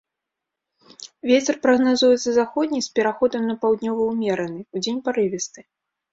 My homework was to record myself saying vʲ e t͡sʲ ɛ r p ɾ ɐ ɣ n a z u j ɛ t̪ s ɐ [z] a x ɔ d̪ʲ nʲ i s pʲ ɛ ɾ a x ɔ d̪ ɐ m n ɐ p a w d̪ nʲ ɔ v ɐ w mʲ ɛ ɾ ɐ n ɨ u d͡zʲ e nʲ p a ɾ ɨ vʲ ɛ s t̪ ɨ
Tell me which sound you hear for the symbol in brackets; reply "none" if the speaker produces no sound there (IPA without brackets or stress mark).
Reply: z